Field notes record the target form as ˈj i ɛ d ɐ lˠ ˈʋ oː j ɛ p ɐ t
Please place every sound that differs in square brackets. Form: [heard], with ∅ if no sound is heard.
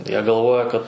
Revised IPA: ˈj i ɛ [ɡ] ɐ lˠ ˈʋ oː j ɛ [k] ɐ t